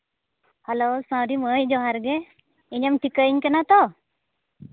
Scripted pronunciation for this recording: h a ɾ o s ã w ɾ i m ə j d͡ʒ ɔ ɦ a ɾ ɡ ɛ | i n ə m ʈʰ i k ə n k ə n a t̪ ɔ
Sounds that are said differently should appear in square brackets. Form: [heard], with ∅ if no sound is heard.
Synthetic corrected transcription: h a [l] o s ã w ɾ i m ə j d͡ʒ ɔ ɦ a ɾ ɡ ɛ | i [ɲ] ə m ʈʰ i k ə [ɲ] k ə n a t̪ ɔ